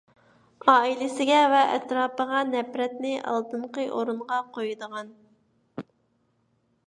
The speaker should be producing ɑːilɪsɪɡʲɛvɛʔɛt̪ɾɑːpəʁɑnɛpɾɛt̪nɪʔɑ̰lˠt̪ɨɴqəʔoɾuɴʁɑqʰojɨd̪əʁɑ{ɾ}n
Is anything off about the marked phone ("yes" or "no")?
yes